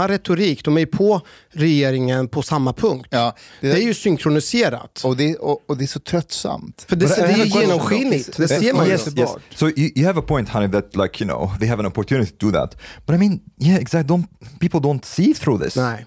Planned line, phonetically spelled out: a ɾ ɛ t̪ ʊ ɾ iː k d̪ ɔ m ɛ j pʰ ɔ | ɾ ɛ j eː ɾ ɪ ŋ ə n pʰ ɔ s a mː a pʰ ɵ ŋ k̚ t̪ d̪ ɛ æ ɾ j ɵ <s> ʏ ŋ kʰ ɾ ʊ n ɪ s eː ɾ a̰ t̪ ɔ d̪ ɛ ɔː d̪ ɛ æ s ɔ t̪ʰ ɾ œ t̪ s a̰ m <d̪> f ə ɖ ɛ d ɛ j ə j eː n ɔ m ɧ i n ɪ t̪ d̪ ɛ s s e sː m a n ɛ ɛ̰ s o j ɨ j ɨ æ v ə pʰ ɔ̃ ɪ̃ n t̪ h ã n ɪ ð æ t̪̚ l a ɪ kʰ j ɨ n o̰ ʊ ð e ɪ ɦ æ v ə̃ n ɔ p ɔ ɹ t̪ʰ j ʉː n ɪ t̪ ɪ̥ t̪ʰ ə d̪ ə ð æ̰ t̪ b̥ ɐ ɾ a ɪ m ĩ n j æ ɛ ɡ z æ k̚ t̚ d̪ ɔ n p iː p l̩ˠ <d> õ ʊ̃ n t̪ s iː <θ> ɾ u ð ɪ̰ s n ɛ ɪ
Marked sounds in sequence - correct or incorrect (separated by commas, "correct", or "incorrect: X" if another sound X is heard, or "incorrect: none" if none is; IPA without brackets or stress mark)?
correct, incorrect: t̪, correct, correct